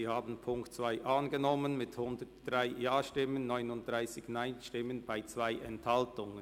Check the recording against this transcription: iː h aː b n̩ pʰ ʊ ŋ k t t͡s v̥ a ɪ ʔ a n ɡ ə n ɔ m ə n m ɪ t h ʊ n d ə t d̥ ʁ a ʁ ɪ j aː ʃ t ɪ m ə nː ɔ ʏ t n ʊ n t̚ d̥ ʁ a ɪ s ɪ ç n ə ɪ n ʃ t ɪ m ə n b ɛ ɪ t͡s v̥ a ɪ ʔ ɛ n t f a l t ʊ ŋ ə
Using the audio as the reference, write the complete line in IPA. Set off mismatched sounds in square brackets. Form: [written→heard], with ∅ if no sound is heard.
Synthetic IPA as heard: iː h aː b n̩ pʰ ʊ ŋ k t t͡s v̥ a ɪ ʔ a n ɡ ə n ɔ m ə n m ɪ t h ʊ n d ə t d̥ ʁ a [ʁ→∅] ɪ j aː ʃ t ɪ m ə nː ɔ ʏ [t→∅] n ʊ n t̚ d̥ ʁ a ɪ s ɪ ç n [ə→a] ɪ n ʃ t ɪ m ə n b [ɛ→a] ɪ t͡s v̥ a ɪ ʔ ɛ n t [f→h] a l t ʊ ŋ ə